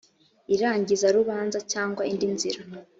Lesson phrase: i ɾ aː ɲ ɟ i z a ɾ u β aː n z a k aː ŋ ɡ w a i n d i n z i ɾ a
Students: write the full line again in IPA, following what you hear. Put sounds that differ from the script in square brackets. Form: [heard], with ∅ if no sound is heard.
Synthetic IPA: i ɾ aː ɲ ɟ i z a ɾ u β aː n z a [c] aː ŋ ɡ w a i n d i n z i ɾ a